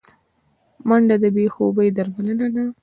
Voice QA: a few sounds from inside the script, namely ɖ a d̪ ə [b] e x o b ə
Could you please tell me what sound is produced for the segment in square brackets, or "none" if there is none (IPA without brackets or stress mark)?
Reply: b